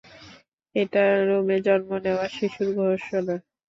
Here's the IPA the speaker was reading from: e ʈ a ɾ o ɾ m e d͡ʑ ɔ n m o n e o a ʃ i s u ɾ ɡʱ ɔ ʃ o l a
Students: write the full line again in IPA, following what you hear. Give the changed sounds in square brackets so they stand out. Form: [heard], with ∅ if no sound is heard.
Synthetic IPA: e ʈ a ɾ o [∅] m e d͡ʑ ɔ n m o n e o a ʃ i [ʃ] u ɾ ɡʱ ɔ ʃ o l a

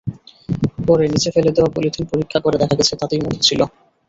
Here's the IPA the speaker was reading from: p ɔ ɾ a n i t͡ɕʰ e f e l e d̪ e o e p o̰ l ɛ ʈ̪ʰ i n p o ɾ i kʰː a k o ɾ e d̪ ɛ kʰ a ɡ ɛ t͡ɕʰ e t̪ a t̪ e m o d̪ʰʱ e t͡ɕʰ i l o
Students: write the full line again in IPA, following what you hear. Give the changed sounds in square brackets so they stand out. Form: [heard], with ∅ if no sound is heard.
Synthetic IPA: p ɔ ɾ [e] n i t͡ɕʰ e f e l e d̪ e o [a] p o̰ l [i] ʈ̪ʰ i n p o ɾ i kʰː a k o ɾ e d̪ ɛ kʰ a ɡ ɛ t͡ɕʰ e t̪ a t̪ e m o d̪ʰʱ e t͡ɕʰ i l o

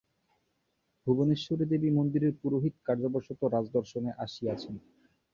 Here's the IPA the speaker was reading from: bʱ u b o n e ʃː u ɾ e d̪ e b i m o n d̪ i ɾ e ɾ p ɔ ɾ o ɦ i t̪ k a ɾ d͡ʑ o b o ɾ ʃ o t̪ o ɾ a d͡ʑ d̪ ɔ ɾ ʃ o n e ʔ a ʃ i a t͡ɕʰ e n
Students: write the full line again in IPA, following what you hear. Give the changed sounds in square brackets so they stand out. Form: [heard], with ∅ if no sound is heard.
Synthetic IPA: bʱ u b o n e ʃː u ɾ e d̪ e b i m o n d̪ i ɾ e ɾ p [u] ɾ o ɦ i t̪ k a ɾ d͡ʑ o b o ɾ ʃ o t̪ o ɾ a d͡ʑ d̪ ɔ ɾ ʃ o n e ʔ a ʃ i a t͡ɕʰ e n

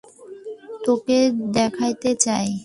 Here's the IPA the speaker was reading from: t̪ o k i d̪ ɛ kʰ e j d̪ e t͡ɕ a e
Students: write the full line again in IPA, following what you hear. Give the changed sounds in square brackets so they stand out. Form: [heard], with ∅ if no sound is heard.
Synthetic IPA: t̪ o k [e] d̪ ɛ kʰ [a] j [t̪] e t͡ɕ a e

